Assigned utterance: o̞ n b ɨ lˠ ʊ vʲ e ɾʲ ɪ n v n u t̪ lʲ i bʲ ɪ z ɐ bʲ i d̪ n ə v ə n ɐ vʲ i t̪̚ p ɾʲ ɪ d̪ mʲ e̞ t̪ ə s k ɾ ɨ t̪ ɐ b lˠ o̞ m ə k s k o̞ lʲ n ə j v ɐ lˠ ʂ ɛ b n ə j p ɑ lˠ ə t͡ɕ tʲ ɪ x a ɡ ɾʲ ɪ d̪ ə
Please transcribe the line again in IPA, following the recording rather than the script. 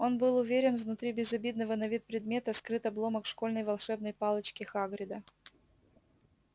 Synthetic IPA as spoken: o̞ n b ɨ lˠ ʊ vʲ e ɾʲ ɪ n v n ʊ t̪ ɾʲ i bʲ ɪ z ɐ bʲ i d̪ n ə v ə n ɐ vʲ i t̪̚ p ɾʲ ɪ d̪ mʲ e̞ t̪ ə s k ɾ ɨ t̪ ɐ b lˠ o̞ m ə k ʂ k o̞ lʲ n ə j v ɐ lˠ ʂ ɛ b n ə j p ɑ lˠ ə t͡ɕ kʲ ɪ x a ɡ ɾʲ ɪ d̪ ə